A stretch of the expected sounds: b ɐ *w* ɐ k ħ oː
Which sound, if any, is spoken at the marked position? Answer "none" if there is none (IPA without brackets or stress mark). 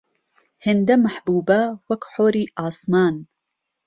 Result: w